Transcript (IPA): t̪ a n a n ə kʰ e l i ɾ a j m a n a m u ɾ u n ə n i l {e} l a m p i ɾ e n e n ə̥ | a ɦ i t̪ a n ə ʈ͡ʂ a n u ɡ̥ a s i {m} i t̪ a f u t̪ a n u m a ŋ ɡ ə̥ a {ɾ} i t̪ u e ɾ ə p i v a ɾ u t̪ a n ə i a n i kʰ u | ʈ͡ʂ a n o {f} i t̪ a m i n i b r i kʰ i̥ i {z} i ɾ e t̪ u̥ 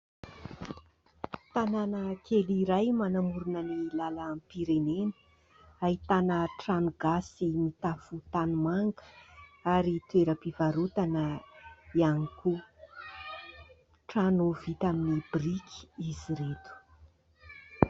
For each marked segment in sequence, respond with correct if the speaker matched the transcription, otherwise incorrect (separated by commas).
incorrect, correct, correct, incorrect, correct